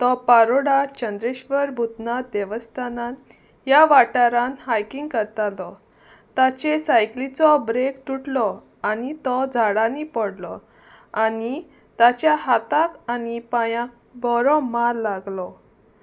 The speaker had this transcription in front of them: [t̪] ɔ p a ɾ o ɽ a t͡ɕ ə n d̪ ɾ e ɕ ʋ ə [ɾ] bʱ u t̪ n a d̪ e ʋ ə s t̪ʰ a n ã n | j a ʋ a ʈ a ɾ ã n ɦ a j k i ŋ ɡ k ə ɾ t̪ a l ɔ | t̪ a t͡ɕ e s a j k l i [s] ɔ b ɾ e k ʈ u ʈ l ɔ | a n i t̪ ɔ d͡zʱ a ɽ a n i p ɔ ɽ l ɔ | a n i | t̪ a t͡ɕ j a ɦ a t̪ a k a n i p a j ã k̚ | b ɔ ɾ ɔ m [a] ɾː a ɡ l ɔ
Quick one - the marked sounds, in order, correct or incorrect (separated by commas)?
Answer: correct, correct, incorrect, correct